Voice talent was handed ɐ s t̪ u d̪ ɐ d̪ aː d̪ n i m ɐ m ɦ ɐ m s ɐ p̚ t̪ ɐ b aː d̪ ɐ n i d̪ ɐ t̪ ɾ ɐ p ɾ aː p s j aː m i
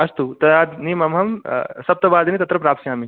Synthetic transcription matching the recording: ɐ s t̪ u t̪ ɐ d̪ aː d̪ n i m ɐ m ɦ ɐ m s ɐ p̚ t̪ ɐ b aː d̪ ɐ n i t̪ ɐ t̪ ɾ ɐ p ɾ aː p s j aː m i